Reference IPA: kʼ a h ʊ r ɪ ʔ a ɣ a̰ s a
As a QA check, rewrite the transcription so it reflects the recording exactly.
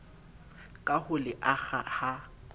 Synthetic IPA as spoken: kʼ a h ʊ l ɪ ʔ a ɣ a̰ h a